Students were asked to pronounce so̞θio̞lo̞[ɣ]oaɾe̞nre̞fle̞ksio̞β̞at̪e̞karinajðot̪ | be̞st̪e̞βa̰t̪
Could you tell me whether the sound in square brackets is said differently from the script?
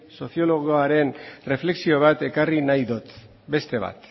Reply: no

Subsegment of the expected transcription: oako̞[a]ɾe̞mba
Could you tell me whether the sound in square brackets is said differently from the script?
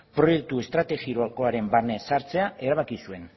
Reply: no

